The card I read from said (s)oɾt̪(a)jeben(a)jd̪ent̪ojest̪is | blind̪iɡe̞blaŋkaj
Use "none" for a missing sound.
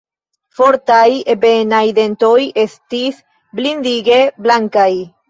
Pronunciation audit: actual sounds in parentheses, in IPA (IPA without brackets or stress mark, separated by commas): f, a, a